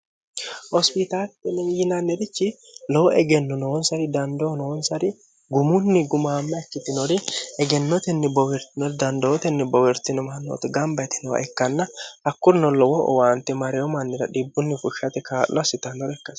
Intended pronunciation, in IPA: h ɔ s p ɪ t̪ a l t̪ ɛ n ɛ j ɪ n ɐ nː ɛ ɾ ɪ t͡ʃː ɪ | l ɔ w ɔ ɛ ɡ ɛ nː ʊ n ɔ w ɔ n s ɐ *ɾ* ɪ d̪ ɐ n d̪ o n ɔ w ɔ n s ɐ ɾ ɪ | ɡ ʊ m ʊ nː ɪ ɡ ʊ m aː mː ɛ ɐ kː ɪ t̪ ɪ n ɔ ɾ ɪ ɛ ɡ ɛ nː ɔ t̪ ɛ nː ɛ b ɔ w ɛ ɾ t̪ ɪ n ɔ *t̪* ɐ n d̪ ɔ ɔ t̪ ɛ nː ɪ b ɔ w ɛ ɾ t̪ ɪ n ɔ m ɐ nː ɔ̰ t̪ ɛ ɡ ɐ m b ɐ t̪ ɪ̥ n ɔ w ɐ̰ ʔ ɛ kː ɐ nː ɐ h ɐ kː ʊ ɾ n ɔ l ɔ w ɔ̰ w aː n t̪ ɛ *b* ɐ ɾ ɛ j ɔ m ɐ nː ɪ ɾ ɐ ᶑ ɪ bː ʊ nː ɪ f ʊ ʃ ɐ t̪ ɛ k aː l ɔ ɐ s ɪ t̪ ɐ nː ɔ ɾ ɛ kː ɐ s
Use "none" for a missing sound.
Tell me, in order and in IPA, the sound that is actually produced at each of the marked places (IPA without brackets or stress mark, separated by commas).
ɾ, d̪, m